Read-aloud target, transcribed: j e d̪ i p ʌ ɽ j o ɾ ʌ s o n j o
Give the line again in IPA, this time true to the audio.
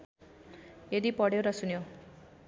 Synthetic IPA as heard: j e d̪ i p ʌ ɽ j o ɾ ʌ s u n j o